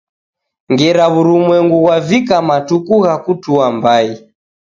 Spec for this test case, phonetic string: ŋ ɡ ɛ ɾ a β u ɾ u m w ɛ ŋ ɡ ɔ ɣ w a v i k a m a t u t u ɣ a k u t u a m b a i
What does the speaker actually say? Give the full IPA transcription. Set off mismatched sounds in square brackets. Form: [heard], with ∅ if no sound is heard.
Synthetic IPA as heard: ŋ ɡ ɛ ɾ a β u ɾ u m w ɛ ŋ ɡ [u] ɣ w a v i k a m a t u [k] u ɣ a k u t u a m b a i